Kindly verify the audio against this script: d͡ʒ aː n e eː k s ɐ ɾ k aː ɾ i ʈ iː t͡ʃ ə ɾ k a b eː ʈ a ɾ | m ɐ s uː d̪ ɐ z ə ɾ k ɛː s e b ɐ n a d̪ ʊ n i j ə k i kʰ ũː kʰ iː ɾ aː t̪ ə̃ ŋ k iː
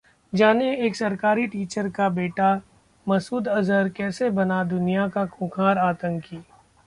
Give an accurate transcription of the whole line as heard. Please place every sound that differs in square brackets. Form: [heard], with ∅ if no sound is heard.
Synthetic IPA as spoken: d͡ʒ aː n e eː k s ɐ ɾ k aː ɾ i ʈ iː t͡ʃ ə ɾ k a b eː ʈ a [∅] | m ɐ s uː d̪ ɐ z ə ɾ k ɛː s e b ɐ n a d̪ ʊ n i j [a] k [a] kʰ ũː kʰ [aː] ɾ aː t̪ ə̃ ŋ k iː